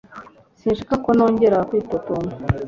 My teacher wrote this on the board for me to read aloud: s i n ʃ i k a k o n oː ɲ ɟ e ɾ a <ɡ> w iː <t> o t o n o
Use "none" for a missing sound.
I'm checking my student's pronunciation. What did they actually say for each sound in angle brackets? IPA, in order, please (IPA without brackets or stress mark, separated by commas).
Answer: k, t